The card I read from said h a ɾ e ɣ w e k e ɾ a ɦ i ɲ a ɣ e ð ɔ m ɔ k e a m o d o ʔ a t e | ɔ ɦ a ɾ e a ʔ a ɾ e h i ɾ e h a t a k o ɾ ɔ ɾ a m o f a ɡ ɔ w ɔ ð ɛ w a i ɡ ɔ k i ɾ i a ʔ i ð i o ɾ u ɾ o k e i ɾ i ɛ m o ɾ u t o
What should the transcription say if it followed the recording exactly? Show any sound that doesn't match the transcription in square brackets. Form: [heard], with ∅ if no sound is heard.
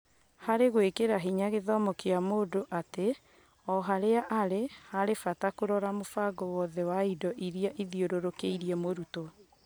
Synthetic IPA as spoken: h a ɾ e ɣ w e k e ɾ a ɦ i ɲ a ɣ e ð ɔ m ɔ k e a m o d o ʔ a t e | ɔ ɦ a ɾ e a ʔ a ɾ e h [a] ɾ e [f] a t a k o ɾ ɔ ɾ a m o f a ɡ ɔ w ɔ ð ɛ w a i [d] ɔ [ʔ] i ɾ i a ʔ i ð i o ɾ [o] ɾ o k e i ɾ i ɛ m o ɾ u t o